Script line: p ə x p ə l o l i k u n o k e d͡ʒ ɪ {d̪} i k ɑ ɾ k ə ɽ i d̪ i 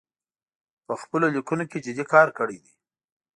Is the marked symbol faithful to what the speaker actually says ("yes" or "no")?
yes